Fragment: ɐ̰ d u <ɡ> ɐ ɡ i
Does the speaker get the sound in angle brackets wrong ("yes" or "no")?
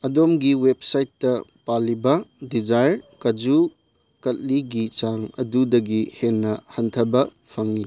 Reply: yes